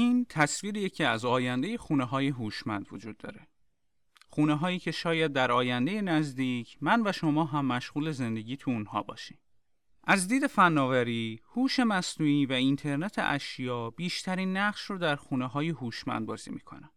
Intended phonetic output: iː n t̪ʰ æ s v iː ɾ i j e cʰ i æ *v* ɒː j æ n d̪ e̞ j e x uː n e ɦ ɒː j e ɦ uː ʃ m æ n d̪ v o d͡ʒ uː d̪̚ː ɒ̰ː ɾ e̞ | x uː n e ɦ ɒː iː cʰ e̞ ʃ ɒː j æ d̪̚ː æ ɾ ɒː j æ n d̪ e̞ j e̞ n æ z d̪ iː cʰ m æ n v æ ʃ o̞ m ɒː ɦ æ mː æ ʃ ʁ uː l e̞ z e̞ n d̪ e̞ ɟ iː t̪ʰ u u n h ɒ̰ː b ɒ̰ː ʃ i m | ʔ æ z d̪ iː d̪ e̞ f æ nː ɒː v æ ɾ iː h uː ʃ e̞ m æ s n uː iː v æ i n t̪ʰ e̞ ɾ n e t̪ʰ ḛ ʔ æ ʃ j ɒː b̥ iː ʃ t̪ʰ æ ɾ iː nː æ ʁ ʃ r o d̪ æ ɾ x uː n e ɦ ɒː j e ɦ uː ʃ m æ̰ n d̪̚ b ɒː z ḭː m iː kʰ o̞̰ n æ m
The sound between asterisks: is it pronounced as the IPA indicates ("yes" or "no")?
no